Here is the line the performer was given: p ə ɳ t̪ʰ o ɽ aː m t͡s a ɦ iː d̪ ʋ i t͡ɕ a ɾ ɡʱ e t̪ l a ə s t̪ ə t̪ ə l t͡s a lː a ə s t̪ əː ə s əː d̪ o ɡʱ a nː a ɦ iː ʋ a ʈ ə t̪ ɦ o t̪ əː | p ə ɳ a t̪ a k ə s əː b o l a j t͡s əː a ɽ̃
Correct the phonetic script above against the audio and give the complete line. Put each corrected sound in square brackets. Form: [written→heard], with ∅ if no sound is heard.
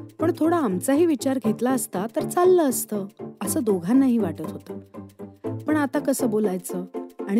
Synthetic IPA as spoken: p ə ɳ t̪ʰ o ɽ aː m t͡s a ɦ iː [d̪→∅] ʋ i t͡ɕ a ɾ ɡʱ e t̪ l a ə s t̪ [ə→a] t̪ ə [l→ɾ] t͡s a lː [a→ə] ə s t̪ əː ə s əː d̪ o ɡʱ a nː a ɦ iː ʋ a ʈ ə t̪ ɦ o t̪ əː | p ə ɳ a t̪ a k ə s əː b o l a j t͡s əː a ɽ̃